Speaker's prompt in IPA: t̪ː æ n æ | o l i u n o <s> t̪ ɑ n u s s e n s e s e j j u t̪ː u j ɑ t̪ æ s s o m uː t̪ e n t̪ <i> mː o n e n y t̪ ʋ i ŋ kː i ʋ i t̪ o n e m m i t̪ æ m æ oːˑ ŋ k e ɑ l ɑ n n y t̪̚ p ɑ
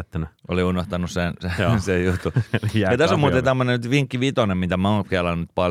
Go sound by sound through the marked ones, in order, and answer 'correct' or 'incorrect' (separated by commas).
incorrect, incorrect